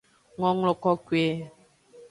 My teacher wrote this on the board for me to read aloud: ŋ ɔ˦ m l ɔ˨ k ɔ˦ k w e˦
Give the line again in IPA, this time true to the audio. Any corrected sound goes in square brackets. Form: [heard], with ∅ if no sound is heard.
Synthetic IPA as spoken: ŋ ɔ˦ [ŋ] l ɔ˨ k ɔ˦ k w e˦